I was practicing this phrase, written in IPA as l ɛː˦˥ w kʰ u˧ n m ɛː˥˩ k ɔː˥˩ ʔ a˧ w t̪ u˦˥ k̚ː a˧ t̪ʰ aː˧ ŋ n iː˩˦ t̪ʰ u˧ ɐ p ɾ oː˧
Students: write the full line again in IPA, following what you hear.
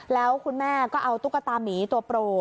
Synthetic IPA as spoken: l ɛː˦˥ w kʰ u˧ n m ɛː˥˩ k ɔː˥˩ ʔ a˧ w t̪ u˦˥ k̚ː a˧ t̪ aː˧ m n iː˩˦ t̪ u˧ ɐ p ɾ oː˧